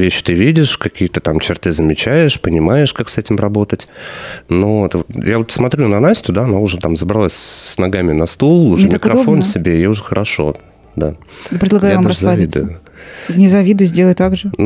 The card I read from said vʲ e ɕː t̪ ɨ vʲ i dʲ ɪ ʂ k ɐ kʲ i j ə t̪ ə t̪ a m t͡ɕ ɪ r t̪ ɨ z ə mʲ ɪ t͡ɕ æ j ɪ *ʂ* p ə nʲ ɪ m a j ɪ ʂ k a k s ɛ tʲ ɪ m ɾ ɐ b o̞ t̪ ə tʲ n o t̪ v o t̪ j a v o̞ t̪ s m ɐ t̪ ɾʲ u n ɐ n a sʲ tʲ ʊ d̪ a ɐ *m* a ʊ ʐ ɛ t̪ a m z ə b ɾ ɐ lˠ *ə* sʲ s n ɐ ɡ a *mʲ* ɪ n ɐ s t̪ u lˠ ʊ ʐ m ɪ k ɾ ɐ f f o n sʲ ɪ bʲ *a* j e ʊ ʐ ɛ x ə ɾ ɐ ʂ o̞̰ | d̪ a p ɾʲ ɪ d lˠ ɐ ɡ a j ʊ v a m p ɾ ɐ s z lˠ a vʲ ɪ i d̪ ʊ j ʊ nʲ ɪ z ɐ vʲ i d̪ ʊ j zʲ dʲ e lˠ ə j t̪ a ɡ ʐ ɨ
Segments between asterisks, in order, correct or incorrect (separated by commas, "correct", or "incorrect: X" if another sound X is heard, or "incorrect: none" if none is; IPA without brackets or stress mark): correct, incorrect: n, incorrect: a, correct, incorrect: e